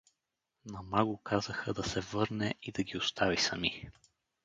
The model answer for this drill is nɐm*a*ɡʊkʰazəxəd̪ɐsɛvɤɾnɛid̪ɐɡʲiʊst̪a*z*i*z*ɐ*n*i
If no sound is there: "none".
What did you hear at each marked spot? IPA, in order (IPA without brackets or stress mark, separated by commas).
a, v, s, m